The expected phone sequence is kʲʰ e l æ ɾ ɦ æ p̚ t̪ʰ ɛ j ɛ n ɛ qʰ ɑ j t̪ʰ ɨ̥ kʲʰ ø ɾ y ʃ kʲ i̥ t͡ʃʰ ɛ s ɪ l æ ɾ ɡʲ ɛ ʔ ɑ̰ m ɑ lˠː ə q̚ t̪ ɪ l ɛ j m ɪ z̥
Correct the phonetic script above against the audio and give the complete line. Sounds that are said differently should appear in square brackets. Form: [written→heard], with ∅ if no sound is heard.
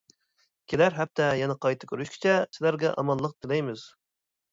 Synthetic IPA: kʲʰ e l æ ɾ ɦ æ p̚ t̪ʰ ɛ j ɛ n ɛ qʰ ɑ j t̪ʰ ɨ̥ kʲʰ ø ɾ y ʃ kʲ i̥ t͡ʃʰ ɛ s ɪ l æ ɾ ɡʲ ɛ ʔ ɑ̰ m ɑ lˠː ə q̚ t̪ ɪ l ɛ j m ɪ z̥